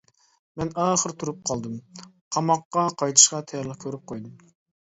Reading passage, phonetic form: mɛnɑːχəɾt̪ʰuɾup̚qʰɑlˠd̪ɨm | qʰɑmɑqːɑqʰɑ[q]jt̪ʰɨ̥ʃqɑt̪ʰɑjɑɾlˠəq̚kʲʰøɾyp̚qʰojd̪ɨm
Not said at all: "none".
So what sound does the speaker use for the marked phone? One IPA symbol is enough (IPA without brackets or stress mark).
none